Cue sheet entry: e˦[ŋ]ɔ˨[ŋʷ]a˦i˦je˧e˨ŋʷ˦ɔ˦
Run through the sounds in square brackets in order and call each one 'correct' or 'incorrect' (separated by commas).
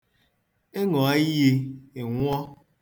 correct, incorrect